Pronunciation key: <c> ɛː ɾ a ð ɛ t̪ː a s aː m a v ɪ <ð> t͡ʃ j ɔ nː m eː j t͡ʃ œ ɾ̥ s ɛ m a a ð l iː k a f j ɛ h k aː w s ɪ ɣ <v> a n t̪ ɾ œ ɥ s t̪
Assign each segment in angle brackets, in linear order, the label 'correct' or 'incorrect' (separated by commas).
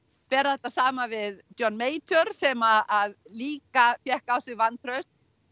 incorrect, correct, correct